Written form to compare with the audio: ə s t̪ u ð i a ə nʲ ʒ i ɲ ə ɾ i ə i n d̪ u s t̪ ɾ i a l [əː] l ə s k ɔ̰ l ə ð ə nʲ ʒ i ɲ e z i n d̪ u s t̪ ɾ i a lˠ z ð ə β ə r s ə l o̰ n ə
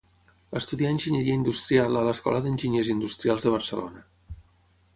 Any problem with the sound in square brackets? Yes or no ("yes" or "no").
yes